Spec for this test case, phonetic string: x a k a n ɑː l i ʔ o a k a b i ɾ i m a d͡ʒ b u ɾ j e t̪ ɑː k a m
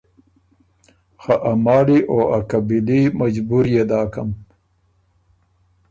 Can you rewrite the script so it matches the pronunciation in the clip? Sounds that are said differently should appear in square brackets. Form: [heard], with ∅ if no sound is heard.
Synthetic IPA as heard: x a [ʔ] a [m] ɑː l i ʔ o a k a b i [l] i m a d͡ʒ b u ɾ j e [d̪] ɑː k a m